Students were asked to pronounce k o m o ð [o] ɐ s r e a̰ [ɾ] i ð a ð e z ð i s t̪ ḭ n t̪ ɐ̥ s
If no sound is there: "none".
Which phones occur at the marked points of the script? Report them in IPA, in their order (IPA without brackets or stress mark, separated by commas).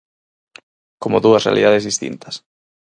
u, l